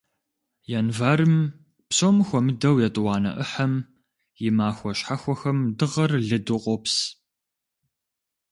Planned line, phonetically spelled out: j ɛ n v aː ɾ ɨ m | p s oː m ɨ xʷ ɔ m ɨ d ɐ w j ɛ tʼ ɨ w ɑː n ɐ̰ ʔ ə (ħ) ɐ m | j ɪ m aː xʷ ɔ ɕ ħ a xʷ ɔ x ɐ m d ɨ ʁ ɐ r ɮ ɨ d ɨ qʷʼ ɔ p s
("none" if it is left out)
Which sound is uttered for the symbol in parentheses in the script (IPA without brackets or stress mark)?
ħ